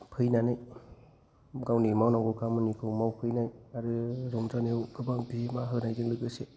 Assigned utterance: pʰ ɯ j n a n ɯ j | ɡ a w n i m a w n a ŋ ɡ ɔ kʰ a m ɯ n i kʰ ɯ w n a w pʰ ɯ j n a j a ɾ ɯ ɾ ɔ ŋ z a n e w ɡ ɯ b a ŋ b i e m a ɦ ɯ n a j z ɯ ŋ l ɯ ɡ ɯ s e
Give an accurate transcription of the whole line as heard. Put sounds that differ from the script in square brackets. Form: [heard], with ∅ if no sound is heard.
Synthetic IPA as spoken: pʰ ɯ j n a n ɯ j | ɡ a w n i m a w n a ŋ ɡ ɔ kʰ a m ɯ n i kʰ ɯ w [m] a w pʰ ɯ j n a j a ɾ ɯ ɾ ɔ ŋ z a n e w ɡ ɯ b a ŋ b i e m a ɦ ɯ n a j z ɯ ŋ l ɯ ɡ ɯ s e

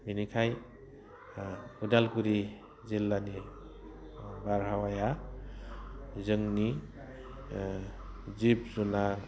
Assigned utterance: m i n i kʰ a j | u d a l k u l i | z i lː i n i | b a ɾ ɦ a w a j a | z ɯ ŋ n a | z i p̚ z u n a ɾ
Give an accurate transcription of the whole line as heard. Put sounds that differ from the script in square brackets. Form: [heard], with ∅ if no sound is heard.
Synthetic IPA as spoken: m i n i kʰ a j | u d a l k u [ɾ] i | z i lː [a] n i | b a ɾ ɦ a w a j a | z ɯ ŋ n [i] | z i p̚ z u n a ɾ

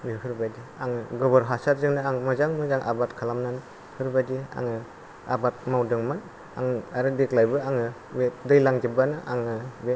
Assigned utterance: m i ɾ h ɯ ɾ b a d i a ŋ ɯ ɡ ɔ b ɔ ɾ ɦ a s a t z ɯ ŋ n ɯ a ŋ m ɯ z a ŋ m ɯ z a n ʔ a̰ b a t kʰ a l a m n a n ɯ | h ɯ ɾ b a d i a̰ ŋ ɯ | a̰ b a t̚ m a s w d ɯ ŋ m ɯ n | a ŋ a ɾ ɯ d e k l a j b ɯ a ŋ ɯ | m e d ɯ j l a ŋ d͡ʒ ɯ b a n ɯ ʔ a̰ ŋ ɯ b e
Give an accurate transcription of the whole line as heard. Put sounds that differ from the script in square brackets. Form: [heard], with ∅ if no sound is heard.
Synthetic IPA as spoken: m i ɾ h ɯ ɾ b a d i a ŋ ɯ ɡ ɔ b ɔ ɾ ɦ a s a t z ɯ ŋ n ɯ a ŋ m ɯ z a ŋ m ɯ z a [ŋ] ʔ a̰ b a t kʰ a l a m n a n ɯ | h ɯ ɾ b a d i a̰ ŋ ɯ | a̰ b a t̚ m a [∅] w d ɯ ŋ m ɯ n | a ŋ a ɾ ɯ d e k l a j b ɯ a ŋ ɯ | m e d ɯ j l a ŋ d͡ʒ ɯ b a n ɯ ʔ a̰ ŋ ɯ b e

